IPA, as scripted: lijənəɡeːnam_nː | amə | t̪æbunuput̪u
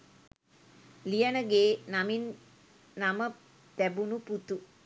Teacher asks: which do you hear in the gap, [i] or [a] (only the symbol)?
i